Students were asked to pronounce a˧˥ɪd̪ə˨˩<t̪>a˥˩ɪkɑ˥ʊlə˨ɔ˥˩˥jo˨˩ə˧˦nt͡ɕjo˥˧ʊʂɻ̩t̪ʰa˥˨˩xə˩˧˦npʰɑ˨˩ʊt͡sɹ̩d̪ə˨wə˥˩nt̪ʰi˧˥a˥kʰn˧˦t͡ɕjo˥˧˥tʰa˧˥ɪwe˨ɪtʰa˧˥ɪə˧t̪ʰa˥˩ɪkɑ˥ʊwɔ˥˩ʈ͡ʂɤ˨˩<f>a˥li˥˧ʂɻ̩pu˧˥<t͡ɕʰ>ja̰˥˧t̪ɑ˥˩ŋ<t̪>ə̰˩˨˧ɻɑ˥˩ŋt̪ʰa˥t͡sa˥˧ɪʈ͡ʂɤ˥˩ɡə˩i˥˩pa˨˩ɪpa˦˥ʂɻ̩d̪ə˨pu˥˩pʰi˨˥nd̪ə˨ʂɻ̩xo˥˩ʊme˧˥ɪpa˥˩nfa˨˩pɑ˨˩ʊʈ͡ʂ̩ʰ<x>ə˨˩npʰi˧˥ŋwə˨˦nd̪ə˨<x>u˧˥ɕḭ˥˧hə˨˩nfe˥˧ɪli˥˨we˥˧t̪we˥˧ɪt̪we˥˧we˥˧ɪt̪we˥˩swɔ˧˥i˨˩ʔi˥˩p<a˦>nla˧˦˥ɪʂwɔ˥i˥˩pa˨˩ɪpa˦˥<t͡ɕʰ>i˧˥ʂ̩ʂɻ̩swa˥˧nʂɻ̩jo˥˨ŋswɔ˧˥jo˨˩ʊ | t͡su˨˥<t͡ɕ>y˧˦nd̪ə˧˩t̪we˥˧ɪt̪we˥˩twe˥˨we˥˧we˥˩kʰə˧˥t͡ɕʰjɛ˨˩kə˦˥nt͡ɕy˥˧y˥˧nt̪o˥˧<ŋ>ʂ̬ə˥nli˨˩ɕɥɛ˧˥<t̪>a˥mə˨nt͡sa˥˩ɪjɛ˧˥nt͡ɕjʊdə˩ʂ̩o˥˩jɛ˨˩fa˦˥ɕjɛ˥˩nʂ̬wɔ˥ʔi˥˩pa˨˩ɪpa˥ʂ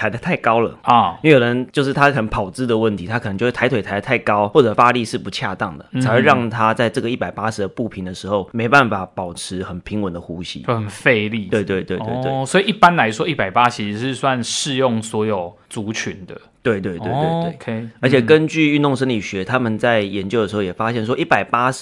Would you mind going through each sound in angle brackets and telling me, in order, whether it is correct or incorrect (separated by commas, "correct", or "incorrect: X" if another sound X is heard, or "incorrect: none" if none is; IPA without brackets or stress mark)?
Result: incorrect: t̪ʰ, correct, correct, incorrect: d̪, correct, correct, correct, correct, incorrect: t͡ɕʰ, correct, incorrect: t̪ʰ